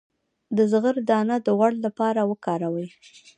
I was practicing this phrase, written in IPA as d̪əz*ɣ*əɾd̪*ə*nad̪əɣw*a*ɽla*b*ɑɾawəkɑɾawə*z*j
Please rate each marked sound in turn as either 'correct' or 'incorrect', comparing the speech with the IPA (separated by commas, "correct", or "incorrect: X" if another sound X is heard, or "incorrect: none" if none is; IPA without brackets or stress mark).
correct, incorrect: ɑ, correct, incorrect: p, incorrect: none